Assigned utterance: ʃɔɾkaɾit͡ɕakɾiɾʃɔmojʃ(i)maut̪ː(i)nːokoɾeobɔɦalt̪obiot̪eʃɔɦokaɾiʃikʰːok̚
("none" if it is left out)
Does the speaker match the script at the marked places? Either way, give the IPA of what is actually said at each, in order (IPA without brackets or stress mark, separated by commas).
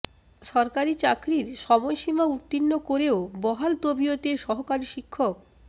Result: i, i